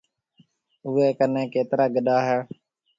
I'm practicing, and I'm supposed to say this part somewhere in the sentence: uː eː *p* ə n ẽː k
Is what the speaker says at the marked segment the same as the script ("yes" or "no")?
no